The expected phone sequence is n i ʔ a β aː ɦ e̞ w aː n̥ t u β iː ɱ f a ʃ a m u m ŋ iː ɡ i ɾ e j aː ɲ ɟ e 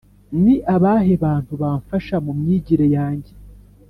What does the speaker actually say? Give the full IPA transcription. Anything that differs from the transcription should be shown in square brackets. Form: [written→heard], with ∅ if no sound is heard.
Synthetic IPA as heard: n i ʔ a β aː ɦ e̞ [w→β] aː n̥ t u β [iː→aː] ɱ f a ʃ a m u m [ŋ→ɲ] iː [ɡ→ɟ] i ɾ e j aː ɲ ɟ e

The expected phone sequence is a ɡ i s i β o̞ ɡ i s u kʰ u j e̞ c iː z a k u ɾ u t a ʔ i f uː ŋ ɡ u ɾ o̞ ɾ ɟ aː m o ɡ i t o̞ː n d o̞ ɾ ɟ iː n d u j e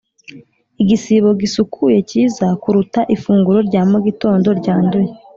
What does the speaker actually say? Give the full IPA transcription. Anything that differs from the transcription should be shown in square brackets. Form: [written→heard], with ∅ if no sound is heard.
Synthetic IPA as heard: [a→i] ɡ i s i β o̞ ɡ i s u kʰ u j e̞ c iː z a k u ɾ u t a ʔ i f uː ŋ ɡ u ɾ o̞ ɾ ɟ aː m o ɡ i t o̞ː n d o̞ ɾ ɟ [iː→aː] n d u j e

